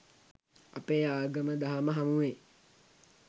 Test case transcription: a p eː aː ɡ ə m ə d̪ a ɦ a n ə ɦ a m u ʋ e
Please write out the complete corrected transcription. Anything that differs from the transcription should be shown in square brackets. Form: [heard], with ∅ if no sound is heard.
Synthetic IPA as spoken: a p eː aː ɡ ə m ə d̪ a ɦ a [m] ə ɦ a m u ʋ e